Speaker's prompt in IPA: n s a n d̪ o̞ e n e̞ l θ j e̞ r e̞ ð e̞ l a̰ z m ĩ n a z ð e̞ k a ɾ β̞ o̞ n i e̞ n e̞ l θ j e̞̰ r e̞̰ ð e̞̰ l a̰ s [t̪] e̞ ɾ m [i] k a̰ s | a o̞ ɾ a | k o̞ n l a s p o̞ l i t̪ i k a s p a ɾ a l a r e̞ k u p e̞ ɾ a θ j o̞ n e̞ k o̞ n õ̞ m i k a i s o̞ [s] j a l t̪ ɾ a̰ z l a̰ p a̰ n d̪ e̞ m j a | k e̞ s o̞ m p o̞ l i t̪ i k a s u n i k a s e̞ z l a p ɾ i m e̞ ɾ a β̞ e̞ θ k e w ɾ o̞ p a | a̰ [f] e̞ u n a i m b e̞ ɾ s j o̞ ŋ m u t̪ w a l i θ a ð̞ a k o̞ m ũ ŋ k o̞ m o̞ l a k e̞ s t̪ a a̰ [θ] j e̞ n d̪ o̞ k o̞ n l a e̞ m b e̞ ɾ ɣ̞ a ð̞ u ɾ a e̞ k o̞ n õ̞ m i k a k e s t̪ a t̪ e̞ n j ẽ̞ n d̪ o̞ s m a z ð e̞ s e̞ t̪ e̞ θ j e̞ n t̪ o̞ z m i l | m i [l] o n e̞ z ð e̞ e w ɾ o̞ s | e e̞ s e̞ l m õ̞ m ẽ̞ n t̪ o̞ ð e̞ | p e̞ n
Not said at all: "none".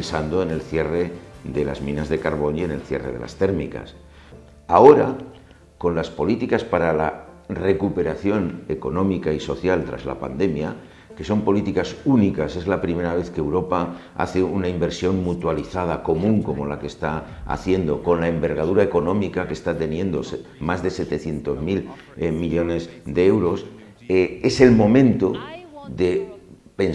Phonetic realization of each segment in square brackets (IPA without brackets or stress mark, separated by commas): t̪, i, θ, θ, θ, ʎ